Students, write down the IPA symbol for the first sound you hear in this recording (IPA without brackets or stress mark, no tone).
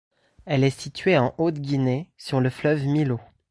ɛ